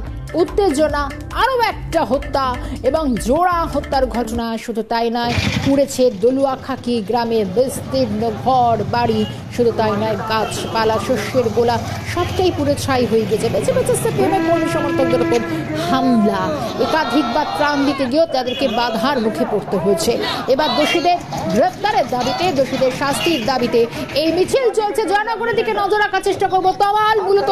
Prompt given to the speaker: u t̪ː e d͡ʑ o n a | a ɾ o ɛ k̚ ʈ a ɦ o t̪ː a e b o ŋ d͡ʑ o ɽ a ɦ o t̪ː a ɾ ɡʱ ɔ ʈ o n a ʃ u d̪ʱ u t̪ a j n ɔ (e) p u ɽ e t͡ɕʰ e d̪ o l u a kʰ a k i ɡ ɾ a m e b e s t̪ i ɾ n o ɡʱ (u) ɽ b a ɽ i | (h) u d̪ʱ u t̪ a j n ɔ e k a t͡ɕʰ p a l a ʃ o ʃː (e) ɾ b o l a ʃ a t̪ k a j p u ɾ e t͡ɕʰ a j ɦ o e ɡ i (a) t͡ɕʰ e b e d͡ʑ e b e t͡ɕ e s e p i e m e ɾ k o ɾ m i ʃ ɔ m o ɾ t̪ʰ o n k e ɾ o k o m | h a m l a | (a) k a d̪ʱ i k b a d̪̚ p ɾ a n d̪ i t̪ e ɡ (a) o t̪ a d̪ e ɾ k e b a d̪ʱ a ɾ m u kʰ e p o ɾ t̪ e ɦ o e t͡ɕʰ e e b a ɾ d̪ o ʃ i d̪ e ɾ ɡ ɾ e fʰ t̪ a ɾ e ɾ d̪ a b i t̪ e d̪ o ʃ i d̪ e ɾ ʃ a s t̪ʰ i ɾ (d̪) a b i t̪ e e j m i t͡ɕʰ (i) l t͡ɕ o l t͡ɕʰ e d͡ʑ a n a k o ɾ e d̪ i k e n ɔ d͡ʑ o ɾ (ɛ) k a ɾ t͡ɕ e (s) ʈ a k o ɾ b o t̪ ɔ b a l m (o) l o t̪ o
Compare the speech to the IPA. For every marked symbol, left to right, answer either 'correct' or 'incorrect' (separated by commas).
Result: correct, incorrect, incorrect, correct, incorrect, incorrect, incorrect, correct, correct, incorrect, incorrect, incorrect